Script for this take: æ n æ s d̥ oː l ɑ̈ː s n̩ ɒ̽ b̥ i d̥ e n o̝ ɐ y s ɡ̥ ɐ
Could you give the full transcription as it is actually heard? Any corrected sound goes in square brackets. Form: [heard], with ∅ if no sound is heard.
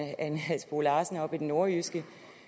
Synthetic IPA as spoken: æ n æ s [b̥] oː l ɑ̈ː s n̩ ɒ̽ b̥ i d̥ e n o̝ ɐ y s ɡ̥ [ə]